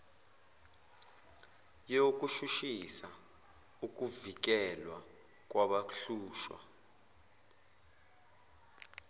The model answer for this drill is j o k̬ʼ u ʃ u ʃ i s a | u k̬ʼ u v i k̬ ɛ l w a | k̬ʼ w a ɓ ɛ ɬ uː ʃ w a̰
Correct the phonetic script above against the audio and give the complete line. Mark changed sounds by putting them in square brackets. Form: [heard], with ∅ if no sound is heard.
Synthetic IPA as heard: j o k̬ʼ u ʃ u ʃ i s a | u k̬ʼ u v i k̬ ɛ l w a | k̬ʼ w a ɓ [a] ɬ uː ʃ w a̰